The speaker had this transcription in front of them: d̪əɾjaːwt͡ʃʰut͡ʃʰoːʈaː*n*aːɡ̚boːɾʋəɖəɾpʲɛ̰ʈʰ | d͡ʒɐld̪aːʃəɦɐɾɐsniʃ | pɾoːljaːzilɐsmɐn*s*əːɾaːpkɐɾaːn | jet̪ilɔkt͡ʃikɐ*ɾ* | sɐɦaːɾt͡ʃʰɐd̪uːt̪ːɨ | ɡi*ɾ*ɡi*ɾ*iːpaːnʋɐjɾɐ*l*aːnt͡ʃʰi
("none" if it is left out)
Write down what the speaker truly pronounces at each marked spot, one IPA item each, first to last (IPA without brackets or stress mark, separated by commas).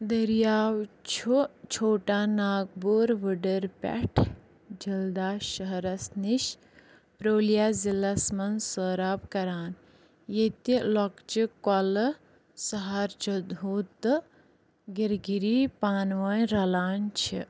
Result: n, s, l, ɾ, ɾ, l